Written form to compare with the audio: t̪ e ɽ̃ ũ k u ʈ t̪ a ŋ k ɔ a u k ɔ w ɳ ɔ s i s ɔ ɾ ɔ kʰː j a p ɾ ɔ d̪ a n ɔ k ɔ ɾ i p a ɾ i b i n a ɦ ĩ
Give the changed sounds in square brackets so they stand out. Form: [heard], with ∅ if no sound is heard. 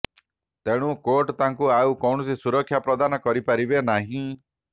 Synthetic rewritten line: t̪ e ɽ̃ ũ k [o] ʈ t̪ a ŋ k [u] a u k ɔ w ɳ ɔ s i s [u] ɾ ɔ kʰː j a p ɾ ɔ d̪ a n ɔ k ɔ ɾ i p a ɾ i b [e] n a ɦ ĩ